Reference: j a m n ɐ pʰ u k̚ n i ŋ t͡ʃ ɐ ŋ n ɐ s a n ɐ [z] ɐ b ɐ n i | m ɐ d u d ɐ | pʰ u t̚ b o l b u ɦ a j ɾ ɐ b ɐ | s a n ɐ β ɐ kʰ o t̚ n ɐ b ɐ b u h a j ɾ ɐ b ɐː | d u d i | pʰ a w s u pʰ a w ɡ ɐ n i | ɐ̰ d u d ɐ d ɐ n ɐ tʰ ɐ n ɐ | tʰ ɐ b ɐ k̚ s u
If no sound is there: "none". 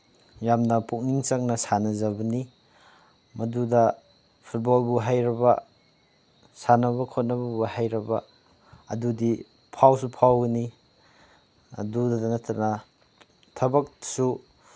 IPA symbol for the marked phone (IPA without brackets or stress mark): z